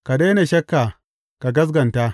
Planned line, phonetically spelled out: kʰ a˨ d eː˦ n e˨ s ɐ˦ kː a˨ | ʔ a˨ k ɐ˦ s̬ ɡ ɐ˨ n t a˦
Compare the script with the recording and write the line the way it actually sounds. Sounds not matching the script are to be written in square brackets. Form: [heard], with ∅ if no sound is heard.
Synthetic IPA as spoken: [k] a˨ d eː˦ n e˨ [ʃ] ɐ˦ kː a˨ | [k] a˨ [ɡ] ɐ˦ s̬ ɡ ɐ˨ n t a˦

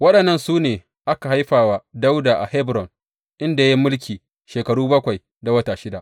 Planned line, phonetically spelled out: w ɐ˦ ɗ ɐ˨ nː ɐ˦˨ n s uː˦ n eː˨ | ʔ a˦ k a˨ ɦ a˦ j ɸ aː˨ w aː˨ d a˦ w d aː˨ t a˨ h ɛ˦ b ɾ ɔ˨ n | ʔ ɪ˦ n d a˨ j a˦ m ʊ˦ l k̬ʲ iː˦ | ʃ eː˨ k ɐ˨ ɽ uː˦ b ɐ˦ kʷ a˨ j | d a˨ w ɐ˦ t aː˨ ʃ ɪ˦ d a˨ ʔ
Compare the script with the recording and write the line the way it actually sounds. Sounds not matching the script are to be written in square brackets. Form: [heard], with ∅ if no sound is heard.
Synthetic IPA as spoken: w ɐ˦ ɗ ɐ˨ nː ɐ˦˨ n s uː˦ n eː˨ | ʔ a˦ k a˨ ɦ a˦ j ɸ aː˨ w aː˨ d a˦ w d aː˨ [ʔ] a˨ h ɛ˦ b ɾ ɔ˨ n | ʔ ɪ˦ n d a˨ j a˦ m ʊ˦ l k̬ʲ [iː˨] | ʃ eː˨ k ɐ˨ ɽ uː˦ b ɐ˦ kʷ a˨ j | d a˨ w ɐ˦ t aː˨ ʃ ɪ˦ d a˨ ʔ

